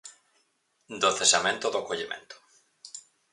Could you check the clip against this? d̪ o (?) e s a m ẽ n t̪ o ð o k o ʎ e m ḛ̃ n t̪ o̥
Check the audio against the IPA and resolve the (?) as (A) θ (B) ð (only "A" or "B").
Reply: A